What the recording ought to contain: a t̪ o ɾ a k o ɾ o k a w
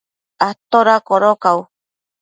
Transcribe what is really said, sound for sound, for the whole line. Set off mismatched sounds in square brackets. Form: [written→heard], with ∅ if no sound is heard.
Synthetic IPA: a t̪ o ɾ a k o ɾ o k a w